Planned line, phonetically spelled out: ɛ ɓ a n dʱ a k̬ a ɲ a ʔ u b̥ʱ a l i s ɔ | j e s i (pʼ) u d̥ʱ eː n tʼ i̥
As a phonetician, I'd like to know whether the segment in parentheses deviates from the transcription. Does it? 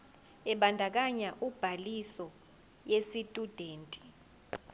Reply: yes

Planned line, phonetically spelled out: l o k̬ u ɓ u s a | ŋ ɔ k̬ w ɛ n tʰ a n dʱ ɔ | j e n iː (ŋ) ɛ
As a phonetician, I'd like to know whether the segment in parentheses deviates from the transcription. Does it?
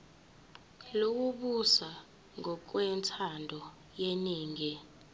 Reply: no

